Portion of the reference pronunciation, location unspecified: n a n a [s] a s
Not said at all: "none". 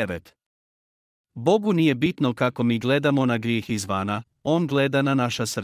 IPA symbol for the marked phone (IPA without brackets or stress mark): ʃ